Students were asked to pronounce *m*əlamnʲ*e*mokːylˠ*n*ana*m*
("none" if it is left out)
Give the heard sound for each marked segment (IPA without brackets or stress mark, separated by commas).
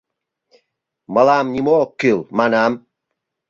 m, i, m, m